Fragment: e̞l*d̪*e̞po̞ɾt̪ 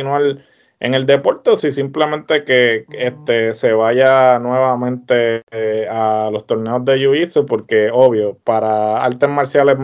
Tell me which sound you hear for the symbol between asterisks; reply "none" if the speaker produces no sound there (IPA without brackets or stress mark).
d̪